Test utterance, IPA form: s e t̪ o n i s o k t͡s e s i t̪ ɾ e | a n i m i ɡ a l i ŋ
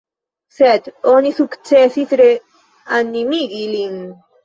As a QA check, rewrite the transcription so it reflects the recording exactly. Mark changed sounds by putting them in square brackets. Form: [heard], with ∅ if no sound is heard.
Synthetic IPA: s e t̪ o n i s [u] k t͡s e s i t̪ ɾ e | a n i m i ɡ [i] l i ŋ